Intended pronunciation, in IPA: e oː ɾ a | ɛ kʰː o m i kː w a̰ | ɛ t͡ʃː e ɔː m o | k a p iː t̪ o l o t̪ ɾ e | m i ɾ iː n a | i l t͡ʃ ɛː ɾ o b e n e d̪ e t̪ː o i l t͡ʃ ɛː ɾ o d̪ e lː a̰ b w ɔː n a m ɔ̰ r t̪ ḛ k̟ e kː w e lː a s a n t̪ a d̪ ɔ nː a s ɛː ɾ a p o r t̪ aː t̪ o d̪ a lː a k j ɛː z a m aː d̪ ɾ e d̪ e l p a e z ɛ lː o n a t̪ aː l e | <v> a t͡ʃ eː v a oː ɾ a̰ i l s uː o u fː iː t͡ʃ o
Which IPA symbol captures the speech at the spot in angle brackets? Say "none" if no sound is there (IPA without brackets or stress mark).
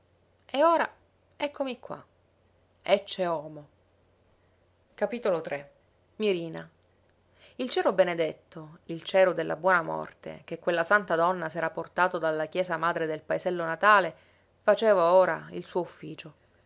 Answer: f